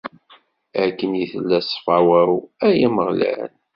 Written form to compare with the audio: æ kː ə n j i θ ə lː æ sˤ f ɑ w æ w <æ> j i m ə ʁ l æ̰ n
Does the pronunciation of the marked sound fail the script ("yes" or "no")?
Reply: no